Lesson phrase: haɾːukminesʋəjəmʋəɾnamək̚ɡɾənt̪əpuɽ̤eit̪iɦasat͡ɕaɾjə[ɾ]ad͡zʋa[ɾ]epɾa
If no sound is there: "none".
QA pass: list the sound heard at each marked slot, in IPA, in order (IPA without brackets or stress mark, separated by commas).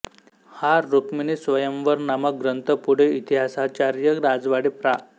ɾ, ɽ